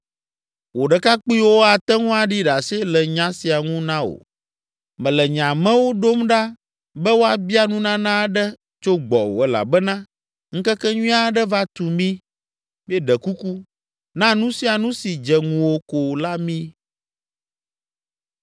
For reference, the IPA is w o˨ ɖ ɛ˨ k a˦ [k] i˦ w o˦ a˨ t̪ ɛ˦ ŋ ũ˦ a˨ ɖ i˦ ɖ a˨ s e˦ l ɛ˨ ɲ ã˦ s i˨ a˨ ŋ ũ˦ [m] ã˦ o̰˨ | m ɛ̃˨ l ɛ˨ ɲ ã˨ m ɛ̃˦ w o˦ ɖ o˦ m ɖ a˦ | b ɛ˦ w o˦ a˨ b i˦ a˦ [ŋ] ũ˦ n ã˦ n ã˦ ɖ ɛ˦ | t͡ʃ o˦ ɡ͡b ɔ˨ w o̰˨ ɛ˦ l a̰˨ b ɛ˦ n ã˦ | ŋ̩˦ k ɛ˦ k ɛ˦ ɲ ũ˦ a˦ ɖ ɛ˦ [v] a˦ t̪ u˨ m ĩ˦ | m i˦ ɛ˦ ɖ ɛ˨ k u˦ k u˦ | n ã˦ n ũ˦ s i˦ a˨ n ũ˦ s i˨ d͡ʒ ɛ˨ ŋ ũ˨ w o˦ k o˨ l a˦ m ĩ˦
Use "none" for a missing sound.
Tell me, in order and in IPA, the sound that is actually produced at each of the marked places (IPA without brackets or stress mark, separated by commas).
k͡p, n, n, v